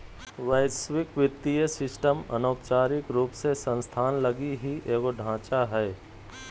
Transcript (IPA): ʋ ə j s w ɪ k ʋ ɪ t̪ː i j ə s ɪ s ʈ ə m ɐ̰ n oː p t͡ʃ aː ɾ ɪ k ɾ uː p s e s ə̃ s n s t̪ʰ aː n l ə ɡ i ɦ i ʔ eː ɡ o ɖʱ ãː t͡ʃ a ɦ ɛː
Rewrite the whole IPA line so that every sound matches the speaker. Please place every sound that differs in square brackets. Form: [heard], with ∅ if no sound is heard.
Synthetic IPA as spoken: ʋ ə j s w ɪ k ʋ ɪ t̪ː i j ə s ɪ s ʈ ə m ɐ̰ n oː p t͡ʃ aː ɾ ɪ k ɾ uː p s e s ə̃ [∅] n s t̪ʰ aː n l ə ɡ i ɦ i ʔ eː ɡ o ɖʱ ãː t͡ʃ a ɦ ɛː